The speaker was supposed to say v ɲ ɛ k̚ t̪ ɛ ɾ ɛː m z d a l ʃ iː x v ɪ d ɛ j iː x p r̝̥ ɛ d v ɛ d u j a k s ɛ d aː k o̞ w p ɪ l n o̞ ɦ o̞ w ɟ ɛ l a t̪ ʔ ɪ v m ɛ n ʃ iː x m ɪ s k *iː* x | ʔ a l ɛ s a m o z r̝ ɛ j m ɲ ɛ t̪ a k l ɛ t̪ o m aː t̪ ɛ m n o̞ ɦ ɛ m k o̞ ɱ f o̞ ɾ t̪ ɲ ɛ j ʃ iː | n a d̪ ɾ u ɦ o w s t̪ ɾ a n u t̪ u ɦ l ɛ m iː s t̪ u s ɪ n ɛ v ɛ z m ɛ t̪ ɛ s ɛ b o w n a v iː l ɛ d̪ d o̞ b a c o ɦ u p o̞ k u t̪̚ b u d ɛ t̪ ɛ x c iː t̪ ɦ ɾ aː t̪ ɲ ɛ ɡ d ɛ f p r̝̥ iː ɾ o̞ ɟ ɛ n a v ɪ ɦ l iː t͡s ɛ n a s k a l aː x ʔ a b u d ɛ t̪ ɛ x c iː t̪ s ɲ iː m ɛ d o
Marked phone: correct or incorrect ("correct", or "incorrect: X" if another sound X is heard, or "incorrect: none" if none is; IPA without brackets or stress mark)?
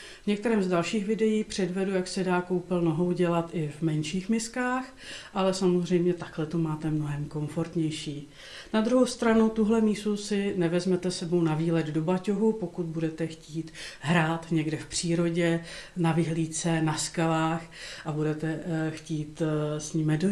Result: incorrect: aː